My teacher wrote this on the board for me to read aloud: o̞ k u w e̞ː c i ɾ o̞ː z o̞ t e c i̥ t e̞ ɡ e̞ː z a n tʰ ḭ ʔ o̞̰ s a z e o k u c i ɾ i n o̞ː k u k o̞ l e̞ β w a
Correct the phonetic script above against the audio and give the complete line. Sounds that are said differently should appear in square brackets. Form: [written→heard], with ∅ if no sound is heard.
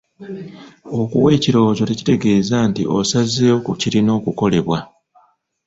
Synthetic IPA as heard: o̞ k u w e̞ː c i ɾ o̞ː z o̞ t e c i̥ t e̞ ɡ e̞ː z a n [tʰ→t] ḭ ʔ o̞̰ s a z e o k u c i ɾ i n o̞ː k u k o̞ l e̞ β w a